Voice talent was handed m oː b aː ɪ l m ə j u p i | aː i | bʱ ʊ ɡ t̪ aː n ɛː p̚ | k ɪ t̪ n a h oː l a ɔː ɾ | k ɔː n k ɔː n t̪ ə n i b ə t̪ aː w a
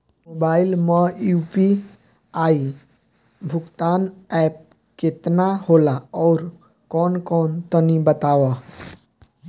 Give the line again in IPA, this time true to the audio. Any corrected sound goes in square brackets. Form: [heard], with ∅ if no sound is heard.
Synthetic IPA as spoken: m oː b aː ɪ l m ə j u p i | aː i | bʱ ʊ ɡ t̪ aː n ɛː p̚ | k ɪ t̪ n a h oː l a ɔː ɾ | k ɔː n k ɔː n t̪ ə n i b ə t̪ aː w a